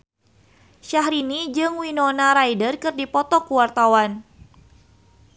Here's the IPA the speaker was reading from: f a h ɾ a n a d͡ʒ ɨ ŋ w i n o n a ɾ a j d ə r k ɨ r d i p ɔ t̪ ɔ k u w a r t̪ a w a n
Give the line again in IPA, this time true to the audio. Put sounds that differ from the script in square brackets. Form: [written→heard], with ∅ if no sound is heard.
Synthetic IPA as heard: [f→ʃ] a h ɾ [a→i] n [a→i] d͡ʒ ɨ ŋ w i n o n a ɾ a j d ə r k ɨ r d i p ɔ t̪ ɔ k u w a r t̪ a w a n